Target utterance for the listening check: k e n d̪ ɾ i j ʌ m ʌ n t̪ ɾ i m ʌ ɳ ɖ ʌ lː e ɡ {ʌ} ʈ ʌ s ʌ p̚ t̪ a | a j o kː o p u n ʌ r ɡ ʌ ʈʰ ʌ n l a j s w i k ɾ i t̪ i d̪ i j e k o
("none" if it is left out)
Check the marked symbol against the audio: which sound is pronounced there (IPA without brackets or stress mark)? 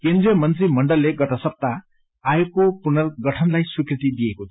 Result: ʌ